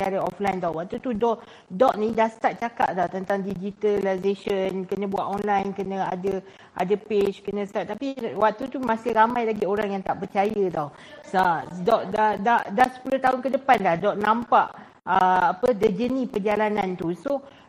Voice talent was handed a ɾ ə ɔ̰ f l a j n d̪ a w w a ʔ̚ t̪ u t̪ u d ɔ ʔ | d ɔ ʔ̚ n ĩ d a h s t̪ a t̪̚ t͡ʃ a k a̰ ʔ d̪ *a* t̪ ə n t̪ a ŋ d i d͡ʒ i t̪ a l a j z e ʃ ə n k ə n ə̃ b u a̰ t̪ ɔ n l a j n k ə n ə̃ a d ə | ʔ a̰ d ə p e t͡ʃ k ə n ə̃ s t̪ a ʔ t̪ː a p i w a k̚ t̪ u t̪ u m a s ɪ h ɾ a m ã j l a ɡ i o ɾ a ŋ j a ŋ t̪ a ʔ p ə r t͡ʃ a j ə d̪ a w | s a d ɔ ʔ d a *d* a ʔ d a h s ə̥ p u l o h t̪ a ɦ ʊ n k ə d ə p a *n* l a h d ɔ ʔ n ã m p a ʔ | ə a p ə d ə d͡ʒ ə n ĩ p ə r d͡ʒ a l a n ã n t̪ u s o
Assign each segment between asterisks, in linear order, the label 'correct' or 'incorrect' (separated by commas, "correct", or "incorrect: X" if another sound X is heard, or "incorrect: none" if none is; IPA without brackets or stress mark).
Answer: correct, correct, correct